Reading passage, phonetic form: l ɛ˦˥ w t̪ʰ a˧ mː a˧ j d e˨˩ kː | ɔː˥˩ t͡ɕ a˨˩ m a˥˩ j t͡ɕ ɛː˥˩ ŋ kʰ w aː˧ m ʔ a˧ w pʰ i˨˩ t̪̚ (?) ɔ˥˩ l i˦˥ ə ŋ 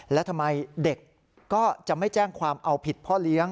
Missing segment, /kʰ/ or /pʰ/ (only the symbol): pʰ